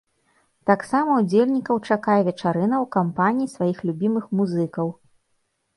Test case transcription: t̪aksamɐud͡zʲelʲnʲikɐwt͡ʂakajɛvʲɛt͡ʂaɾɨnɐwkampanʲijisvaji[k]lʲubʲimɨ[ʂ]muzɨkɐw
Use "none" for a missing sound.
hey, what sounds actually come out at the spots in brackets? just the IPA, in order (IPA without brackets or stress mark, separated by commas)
x, x